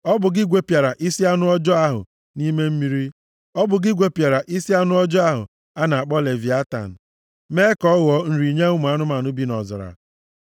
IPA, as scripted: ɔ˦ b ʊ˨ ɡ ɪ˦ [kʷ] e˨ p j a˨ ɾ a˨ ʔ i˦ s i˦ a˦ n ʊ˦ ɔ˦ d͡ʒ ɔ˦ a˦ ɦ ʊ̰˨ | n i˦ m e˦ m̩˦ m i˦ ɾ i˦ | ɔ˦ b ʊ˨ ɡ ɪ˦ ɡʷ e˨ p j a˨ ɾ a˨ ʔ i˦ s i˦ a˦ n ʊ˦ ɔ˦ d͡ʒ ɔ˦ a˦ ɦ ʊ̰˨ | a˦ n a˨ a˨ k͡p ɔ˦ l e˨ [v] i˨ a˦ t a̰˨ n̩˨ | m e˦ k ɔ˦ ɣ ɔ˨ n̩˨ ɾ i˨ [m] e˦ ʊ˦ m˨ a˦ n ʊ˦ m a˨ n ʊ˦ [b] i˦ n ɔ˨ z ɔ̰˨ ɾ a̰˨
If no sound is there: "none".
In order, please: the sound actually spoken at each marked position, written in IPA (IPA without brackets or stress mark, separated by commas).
ɡʷ, v, ɲ, b